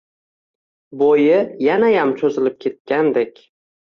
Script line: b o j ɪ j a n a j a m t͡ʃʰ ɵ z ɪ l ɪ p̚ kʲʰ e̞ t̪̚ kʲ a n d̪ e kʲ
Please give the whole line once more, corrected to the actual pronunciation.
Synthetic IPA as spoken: b o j ɪ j a n a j a m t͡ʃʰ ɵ z ɪ l ɪ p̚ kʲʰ e̞ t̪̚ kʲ a n d̪ e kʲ